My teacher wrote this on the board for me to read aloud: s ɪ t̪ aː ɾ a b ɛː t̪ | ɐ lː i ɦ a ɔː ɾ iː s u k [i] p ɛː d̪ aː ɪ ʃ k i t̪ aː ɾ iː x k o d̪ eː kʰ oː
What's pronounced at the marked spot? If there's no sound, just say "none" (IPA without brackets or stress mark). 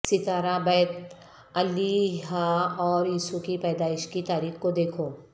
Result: i